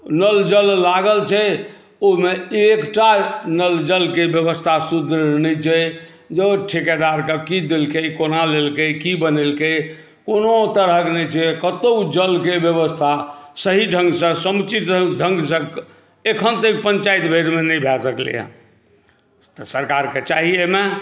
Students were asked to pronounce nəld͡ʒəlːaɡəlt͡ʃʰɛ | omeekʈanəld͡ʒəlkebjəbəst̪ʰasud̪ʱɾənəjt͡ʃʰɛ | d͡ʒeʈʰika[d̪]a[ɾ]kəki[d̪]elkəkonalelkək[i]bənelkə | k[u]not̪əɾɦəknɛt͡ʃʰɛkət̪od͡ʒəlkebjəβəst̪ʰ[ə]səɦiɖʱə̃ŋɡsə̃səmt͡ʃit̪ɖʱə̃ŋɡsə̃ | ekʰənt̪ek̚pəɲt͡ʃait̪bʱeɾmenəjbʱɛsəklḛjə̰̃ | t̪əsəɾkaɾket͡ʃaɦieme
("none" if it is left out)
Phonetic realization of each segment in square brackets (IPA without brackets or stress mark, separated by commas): d̪, ɾ, d̪, i, o, a